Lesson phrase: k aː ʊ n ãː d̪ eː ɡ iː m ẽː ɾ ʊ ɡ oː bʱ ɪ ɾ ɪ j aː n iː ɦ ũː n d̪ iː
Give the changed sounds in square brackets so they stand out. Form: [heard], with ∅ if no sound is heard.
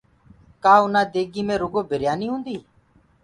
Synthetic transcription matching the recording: k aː ʊ n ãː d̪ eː ɡ iː m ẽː ɾ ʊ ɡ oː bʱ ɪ ɾ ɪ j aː n iː ɦ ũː n d̪ iː